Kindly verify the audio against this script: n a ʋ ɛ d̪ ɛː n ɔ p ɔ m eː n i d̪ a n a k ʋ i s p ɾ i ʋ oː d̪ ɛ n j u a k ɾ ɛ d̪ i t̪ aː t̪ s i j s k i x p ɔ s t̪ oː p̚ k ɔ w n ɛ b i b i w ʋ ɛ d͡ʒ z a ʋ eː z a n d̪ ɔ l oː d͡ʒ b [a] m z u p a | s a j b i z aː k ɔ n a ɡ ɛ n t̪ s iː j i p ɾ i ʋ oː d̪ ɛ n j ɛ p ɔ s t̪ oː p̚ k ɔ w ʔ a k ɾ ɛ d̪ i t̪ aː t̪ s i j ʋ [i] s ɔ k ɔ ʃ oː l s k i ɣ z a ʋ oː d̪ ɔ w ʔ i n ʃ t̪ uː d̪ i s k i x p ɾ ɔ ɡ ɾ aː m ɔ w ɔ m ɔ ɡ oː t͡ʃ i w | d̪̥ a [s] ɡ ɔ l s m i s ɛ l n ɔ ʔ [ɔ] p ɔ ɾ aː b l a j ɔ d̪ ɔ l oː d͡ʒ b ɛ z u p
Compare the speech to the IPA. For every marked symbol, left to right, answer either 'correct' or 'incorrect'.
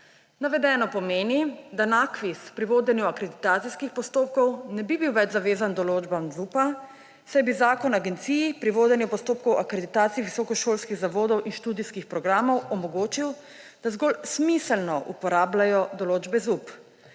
correct, correct, incorrect, incorrect

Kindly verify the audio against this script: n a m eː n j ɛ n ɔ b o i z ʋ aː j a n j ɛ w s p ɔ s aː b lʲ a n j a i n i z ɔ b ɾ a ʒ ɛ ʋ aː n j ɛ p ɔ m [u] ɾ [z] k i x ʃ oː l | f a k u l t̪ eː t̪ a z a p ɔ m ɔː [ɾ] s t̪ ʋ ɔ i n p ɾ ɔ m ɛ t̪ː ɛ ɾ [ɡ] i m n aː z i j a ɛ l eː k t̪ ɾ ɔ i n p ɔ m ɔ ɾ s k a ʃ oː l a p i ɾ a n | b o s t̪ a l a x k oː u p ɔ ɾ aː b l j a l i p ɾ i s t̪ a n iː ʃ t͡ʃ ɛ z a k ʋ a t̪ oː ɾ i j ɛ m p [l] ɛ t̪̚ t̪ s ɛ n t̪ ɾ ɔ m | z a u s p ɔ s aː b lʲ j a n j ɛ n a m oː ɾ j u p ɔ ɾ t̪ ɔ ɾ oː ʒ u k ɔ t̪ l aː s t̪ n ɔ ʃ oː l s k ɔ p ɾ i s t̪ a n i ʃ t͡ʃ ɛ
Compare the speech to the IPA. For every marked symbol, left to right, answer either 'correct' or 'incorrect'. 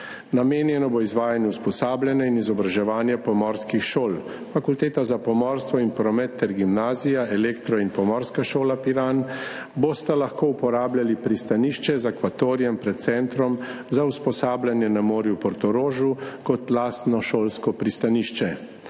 incorrect, incorrect, correct, correct, incorrect

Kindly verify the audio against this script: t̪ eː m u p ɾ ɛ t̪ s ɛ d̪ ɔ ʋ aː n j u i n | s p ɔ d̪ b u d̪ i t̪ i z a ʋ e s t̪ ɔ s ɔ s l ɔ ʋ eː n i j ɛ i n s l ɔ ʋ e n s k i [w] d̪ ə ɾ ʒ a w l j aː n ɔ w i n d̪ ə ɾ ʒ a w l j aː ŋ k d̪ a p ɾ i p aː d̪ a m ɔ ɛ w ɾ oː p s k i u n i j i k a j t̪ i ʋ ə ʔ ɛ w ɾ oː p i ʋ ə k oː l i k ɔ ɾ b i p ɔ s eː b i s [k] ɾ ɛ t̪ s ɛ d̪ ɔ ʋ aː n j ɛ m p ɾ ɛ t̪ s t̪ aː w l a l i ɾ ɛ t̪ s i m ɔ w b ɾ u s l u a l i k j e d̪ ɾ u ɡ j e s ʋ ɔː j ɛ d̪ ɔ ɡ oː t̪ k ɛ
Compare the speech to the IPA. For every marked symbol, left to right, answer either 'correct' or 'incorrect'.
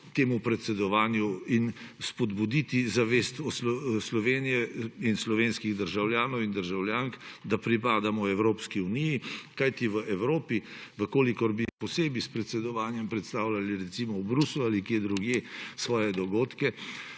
incorrect, incorrect

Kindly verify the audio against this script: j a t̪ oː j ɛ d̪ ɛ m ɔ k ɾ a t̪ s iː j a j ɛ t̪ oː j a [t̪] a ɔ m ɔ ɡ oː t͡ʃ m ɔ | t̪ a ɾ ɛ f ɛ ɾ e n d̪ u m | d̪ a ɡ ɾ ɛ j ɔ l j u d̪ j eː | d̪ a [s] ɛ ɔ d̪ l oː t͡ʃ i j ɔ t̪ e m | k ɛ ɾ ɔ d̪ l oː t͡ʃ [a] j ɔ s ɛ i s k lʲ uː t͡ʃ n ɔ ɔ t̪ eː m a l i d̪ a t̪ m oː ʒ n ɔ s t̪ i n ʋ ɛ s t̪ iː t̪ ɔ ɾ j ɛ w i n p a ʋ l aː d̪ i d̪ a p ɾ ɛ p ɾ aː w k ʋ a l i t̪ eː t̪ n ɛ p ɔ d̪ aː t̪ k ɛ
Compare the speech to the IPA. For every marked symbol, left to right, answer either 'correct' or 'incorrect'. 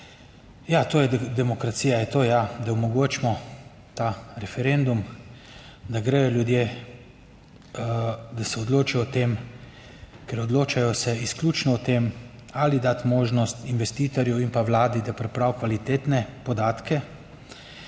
incorrect, correct, correct

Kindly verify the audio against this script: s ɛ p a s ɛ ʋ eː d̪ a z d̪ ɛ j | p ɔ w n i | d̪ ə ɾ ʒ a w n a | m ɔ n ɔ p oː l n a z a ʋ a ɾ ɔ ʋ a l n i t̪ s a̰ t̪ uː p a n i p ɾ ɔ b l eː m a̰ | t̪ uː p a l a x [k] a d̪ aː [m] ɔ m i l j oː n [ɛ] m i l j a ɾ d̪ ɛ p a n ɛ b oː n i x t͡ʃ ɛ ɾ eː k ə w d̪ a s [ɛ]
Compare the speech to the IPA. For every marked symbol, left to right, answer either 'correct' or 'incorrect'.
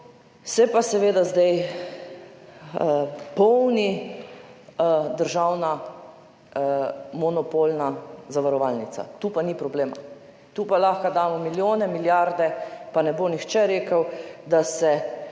correct, correct, correct, correct

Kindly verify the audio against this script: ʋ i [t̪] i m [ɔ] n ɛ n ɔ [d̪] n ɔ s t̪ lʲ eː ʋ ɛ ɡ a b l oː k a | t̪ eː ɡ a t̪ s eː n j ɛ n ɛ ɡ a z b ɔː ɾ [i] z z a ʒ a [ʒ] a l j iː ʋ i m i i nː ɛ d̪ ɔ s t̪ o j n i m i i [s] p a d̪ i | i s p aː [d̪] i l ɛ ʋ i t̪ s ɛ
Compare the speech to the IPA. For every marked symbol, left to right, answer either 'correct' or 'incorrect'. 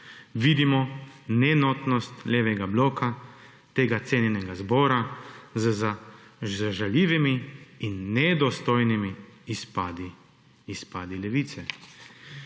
incorrect, correct, incorrect, incorrect, correct, correct, correct

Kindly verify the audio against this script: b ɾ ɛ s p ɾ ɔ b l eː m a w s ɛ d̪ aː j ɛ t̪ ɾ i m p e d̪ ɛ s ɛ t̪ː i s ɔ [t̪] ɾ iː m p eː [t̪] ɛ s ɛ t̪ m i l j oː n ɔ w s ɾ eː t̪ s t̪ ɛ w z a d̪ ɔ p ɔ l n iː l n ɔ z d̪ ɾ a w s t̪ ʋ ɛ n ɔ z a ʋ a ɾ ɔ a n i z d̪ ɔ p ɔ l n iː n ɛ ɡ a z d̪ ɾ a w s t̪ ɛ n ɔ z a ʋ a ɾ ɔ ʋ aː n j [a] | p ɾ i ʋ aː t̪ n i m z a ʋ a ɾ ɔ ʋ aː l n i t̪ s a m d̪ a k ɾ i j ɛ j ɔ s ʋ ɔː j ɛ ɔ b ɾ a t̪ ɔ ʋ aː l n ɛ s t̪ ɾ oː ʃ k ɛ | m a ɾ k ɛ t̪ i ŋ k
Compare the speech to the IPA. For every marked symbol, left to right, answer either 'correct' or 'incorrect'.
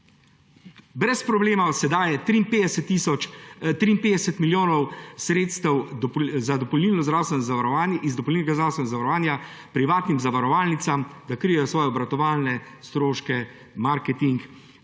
correct, incorrect, correct

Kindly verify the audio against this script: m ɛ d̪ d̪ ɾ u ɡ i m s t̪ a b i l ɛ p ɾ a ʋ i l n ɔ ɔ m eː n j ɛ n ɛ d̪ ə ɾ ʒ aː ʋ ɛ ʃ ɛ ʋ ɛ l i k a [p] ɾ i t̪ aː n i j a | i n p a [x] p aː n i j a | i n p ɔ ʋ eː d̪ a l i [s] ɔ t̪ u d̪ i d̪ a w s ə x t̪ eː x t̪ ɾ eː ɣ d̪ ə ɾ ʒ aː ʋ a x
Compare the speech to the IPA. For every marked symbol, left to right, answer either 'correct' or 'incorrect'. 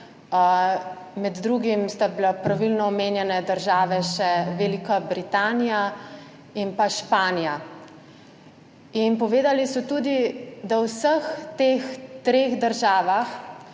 incorrect, incorrect, correct

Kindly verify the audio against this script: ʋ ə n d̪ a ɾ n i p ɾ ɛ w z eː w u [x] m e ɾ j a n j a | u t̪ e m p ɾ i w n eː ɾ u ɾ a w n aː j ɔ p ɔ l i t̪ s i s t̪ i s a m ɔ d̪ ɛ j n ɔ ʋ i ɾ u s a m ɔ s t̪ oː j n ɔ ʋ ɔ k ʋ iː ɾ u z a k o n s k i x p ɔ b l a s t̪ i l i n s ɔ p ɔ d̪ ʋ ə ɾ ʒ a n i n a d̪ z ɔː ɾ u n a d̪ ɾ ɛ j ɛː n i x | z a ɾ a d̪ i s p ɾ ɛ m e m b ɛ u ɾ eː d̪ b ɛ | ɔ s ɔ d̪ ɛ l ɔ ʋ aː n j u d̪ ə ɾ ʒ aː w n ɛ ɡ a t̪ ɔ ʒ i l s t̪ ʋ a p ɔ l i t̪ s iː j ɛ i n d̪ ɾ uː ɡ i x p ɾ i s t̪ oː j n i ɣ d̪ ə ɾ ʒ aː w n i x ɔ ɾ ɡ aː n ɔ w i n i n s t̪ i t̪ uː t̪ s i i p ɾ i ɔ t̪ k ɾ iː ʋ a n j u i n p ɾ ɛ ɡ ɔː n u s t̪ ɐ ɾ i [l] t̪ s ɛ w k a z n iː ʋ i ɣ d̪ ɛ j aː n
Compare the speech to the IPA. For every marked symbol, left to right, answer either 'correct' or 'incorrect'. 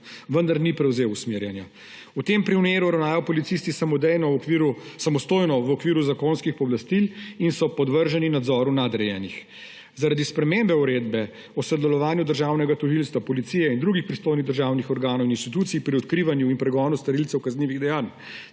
incorrect, correct

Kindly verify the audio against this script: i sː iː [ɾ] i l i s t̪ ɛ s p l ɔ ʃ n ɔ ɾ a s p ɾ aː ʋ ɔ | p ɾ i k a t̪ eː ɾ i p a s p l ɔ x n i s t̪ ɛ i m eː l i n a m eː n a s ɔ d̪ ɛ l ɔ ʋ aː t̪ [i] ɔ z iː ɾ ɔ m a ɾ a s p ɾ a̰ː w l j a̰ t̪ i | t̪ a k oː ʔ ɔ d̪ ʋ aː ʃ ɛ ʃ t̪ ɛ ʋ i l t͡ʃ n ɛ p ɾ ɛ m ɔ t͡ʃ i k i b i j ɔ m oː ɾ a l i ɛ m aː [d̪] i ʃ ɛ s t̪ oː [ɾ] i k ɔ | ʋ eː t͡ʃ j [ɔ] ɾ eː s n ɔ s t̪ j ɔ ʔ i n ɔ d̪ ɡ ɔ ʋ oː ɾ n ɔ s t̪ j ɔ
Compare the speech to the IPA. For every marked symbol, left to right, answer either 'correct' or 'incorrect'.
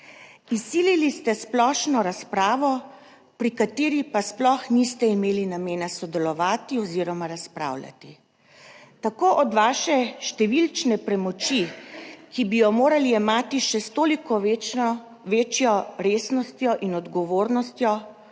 incorrect, correct, incorrect, incorrect, correct

